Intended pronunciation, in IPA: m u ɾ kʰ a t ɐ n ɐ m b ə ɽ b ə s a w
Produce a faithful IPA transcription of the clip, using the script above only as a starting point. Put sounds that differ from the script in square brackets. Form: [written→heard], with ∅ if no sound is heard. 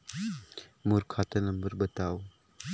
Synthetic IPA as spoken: m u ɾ kʰ a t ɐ n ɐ m b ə [ɽ→ɾ] b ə [s→t] a w